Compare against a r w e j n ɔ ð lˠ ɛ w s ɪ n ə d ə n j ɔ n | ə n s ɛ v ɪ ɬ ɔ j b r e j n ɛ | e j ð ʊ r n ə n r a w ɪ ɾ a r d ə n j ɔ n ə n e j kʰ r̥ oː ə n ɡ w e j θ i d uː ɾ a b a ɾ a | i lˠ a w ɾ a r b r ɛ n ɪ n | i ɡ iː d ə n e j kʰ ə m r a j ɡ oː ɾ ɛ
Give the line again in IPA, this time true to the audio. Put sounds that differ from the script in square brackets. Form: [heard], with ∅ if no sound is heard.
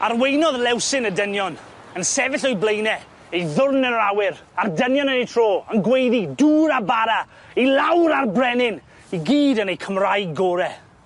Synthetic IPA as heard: a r w e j n ɔ ð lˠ ɛ w s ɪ n ə d ə n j ɔ n | ə n s ɛ v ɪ ɬ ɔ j b [l] e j n ɛ | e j ð ʊ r n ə n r a w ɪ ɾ a r d ə n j ɔ n ə n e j [tʰ] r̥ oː ə n ɡ w e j [ð] i d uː ɾ a b a ɾ a | i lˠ a w ɾ a r b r ɛ n ɪ n | i ɡ iː d ə n e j kʰ ə m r a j ɡ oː ɾ ɛ